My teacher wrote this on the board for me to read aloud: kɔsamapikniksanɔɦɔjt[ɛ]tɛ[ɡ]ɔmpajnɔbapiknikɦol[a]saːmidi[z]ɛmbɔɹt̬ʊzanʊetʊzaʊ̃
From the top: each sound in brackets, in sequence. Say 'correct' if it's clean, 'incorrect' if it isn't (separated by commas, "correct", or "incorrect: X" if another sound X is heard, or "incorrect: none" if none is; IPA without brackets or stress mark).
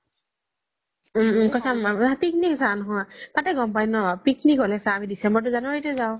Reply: incorrect: a, correct, incorrect: ɛ, incorrect: s